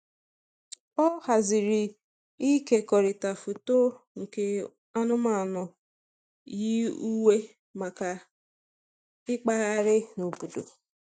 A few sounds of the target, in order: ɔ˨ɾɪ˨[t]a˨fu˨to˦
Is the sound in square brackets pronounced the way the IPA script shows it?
yes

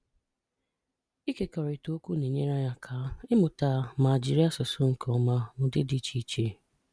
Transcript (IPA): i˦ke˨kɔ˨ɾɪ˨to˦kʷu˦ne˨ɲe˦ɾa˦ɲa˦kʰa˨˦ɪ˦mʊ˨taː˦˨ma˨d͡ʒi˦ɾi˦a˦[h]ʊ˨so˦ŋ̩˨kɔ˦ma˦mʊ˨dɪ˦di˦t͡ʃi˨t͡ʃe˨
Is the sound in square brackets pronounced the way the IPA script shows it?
no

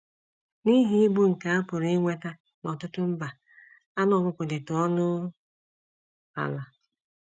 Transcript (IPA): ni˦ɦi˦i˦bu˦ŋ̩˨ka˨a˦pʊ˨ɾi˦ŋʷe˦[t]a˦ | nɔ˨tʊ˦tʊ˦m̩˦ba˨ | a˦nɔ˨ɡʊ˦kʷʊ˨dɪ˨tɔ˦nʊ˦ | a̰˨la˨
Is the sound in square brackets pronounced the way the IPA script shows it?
yes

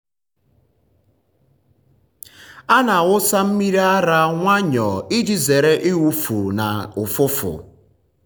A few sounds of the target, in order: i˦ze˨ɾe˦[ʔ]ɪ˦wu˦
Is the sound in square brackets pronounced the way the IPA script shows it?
yes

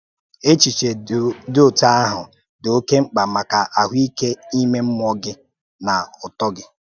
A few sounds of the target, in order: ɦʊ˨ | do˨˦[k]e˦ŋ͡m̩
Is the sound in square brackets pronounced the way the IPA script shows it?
yes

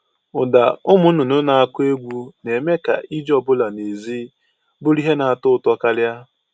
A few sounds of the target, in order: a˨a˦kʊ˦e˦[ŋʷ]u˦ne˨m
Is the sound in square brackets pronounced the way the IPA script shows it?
no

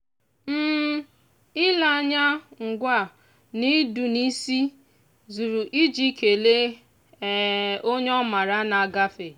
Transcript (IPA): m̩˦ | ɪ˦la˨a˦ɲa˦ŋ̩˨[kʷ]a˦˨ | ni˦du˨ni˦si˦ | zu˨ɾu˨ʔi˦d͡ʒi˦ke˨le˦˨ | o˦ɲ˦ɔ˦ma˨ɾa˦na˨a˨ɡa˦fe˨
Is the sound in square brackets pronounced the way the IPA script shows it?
no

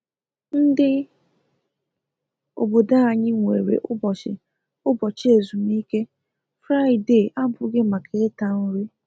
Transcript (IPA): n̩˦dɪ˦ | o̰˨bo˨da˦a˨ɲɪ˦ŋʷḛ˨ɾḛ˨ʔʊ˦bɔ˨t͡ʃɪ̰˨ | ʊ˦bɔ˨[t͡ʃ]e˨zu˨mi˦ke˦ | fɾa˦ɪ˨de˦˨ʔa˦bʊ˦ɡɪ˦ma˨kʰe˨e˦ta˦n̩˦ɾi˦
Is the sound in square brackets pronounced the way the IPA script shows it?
yes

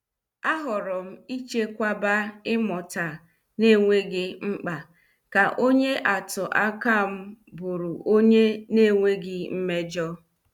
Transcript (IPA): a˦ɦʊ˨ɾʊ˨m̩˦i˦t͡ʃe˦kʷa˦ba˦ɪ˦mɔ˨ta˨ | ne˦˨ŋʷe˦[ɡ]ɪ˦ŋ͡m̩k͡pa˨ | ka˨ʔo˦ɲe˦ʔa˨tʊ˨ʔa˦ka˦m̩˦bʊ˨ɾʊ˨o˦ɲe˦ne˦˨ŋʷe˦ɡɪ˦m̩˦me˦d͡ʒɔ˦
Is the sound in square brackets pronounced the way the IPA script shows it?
yes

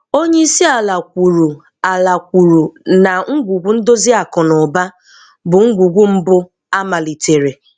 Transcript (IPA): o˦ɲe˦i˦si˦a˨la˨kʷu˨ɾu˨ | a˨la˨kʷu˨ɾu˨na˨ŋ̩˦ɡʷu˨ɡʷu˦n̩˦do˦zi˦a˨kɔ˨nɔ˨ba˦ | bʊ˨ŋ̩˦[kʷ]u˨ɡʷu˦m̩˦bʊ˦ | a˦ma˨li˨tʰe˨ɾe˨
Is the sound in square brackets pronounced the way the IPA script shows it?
no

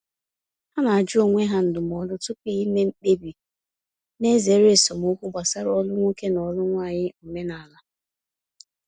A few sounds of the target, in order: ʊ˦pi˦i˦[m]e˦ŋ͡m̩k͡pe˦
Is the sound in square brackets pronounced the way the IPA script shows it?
yes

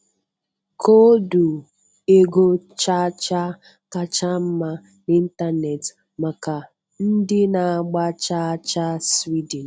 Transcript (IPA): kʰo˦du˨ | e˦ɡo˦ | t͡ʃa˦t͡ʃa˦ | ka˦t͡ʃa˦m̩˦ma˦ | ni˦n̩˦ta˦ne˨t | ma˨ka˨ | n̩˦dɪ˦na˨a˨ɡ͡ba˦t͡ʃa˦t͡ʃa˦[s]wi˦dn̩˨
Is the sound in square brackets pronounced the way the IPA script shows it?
yes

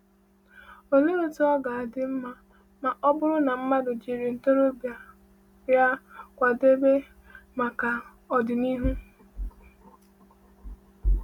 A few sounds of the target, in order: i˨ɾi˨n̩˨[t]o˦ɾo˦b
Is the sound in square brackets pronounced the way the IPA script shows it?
yes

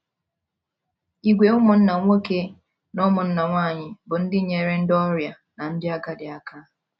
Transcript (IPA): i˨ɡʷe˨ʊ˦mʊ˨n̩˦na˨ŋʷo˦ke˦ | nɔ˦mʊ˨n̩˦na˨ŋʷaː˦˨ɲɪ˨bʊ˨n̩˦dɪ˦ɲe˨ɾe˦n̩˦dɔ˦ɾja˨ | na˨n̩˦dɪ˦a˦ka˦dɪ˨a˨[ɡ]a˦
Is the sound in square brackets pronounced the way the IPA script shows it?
no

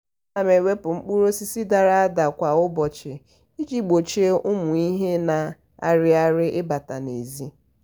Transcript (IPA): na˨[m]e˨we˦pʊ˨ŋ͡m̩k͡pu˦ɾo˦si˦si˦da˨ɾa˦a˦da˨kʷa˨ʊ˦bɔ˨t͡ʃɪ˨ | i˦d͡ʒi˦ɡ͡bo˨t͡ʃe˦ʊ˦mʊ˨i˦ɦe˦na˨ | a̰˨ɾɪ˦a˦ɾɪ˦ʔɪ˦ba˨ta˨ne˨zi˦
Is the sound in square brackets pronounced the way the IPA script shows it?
yes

